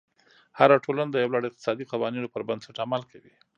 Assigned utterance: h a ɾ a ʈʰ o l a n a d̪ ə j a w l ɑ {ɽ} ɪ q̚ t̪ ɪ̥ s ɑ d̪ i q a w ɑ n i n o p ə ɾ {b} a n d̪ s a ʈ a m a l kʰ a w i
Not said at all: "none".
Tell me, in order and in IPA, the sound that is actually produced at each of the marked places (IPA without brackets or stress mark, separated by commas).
ɽ, b